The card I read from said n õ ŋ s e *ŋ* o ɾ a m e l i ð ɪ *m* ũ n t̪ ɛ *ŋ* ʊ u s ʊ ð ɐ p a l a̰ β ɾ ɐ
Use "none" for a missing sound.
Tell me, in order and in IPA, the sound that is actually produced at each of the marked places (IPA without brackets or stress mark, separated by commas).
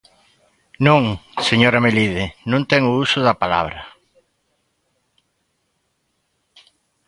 ɲ, n, ŋ